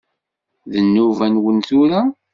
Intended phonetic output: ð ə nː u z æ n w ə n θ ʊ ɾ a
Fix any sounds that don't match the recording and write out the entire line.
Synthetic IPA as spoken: ð ə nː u v æ n w ə n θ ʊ ɾ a